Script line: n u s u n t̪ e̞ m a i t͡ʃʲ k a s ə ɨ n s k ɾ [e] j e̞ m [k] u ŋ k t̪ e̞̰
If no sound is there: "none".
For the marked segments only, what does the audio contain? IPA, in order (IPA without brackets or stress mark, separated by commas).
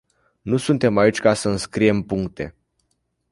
i, p